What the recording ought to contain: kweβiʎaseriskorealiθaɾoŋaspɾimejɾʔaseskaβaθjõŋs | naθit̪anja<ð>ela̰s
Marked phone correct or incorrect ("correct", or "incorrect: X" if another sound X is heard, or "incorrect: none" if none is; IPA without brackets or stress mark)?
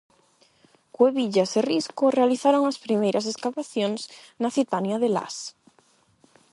correct